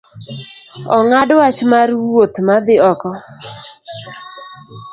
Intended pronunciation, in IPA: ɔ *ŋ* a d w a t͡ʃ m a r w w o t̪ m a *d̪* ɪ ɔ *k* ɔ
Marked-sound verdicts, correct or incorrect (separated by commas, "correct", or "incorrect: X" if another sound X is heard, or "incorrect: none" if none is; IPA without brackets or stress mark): correct, correct, correct